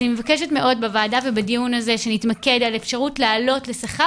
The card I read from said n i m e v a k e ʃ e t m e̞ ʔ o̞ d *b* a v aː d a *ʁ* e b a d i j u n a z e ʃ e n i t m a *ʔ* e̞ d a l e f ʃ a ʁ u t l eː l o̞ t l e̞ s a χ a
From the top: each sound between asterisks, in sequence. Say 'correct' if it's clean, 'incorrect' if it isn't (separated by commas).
correct, incorrect, incorrect